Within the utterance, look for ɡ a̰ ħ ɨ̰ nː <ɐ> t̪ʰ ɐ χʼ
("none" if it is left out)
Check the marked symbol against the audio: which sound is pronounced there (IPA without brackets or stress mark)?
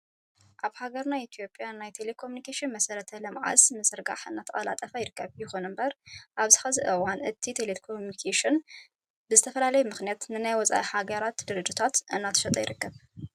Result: a